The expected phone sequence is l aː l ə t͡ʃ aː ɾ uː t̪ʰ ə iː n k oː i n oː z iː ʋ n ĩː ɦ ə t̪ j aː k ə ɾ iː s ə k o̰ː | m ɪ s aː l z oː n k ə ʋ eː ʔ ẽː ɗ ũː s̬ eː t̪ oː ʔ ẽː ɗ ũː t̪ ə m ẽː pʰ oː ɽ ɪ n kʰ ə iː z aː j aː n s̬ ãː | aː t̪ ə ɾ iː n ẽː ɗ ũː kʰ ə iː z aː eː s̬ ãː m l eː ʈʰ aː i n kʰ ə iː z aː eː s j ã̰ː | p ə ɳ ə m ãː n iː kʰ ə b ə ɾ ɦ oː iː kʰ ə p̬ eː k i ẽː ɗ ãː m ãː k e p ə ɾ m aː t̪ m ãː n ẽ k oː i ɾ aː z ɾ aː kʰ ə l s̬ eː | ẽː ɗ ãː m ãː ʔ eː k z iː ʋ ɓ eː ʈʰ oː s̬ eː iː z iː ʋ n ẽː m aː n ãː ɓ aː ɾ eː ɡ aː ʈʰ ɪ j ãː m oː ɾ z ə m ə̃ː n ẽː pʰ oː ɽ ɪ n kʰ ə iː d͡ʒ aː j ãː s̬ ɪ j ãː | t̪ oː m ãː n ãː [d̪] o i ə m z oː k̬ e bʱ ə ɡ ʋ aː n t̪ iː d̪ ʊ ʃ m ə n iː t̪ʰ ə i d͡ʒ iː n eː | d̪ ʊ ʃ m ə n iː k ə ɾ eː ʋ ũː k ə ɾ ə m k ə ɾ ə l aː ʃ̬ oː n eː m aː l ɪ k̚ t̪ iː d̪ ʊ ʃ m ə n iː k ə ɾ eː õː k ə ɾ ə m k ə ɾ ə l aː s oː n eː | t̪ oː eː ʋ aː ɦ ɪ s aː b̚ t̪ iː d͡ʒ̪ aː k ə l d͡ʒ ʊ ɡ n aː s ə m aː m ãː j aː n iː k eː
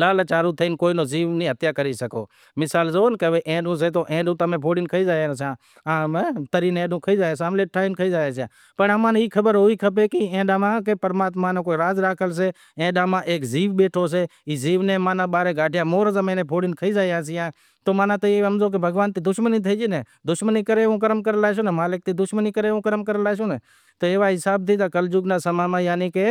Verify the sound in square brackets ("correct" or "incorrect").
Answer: incorrect